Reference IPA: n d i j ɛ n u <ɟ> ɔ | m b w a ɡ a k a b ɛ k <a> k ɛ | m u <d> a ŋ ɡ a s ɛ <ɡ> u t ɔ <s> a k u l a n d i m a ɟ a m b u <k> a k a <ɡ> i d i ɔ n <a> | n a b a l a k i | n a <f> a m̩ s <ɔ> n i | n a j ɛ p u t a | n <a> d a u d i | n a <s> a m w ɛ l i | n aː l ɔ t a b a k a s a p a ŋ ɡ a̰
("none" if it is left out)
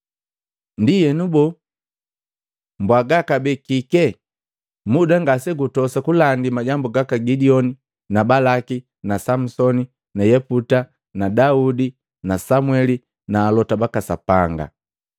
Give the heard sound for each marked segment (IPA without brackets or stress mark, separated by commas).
b, i, d, ɡ, s, ɡ, ɡ, i, s, ɔ, a, s